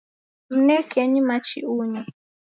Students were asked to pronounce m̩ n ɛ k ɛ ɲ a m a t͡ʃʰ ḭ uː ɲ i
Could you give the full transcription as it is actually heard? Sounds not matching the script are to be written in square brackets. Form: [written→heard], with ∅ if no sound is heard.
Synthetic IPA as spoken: m̩ n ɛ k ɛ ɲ [a→i] m a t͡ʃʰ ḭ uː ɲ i